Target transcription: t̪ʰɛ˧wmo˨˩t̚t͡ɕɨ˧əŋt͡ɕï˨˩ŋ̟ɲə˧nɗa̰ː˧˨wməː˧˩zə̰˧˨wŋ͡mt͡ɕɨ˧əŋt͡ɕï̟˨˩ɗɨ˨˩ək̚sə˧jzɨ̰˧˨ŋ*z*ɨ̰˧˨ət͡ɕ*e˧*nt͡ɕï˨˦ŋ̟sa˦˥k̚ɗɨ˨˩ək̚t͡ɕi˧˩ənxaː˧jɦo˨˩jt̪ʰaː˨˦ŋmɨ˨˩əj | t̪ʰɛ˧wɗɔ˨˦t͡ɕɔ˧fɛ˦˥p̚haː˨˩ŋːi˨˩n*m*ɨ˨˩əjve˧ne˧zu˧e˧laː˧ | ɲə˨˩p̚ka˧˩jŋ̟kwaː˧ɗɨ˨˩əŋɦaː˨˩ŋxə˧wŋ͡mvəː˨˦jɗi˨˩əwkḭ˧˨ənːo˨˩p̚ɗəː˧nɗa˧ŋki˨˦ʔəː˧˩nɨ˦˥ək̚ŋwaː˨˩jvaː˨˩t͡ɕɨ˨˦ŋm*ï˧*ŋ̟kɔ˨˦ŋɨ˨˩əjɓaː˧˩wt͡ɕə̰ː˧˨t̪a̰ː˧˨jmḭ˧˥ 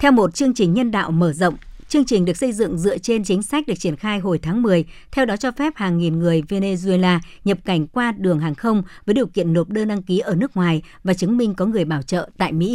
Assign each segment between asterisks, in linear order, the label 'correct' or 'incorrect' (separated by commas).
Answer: correct, correct, incorrect, correct